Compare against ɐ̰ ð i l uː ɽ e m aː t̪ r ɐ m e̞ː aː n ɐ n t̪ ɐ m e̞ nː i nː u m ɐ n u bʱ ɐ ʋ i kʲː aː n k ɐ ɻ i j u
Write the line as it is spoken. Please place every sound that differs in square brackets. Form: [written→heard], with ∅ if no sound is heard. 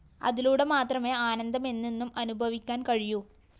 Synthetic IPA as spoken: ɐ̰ ð i l uː ɽ e m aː t̪ r ɐ m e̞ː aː n ɐ n [t̪→d̪] ɐ m e̞ nː i nː u m ɐ n u bʱ ɐ ʋ i kʲː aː n k ɐ ɻ i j u

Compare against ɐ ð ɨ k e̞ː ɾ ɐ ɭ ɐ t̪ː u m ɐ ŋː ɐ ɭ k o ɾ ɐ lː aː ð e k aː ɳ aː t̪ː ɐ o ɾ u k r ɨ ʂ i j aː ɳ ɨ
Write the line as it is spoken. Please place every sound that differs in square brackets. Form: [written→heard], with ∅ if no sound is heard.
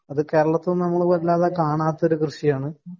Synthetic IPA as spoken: ɐ ð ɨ k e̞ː ɾ ɐ ɭ ɐ t̪ː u [m→n] ɐ [ŋː→mː] ɐ ɭ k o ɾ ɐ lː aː ð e k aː ɳ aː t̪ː ɐ o ɾ u k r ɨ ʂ i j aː ɳ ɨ

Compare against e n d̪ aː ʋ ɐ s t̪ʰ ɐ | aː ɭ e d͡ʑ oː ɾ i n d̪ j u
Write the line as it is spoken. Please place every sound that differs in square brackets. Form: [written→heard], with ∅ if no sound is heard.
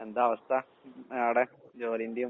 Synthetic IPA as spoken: e n d̪ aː ʋ ɐ s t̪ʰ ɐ | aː [ɭ→ɽ] e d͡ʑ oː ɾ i n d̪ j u

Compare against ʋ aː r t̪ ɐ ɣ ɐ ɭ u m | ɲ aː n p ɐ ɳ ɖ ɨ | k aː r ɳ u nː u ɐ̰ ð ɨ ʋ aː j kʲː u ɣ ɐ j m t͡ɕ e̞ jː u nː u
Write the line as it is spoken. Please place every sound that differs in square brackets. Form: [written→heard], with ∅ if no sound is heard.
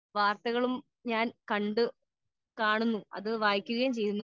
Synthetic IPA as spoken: ʋ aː r t̪ ɐ ɣ ɐ ɭ u m | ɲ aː n [p→k] ɐ ɳ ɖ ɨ | k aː [r→∅] ɳ u nː u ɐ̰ ð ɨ ʋ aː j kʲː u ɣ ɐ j m t͡ɕ e̞ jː u nː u

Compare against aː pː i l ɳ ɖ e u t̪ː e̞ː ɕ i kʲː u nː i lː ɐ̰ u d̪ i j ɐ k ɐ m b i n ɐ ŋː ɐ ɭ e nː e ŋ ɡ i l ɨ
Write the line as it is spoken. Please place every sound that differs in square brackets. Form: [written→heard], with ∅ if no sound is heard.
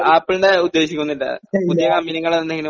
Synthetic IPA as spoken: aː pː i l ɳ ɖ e u [t̪ː→d̪ː] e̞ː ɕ i kʲː u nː i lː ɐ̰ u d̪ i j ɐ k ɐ m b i n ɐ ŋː ɐ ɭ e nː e ŋ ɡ i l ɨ

